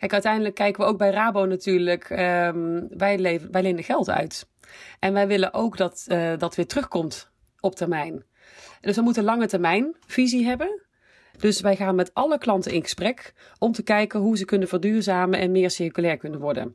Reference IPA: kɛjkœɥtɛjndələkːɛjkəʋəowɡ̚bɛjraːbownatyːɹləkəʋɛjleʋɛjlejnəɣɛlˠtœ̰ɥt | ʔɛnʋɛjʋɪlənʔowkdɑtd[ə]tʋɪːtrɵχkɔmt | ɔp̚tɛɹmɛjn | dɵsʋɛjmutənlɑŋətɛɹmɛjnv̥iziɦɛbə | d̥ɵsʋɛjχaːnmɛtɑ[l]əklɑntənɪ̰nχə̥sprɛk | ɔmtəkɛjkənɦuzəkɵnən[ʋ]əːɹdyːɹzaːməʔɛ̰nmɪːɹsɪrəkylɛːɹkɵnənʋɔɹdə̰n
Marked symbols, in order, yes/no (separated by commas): no, yes, no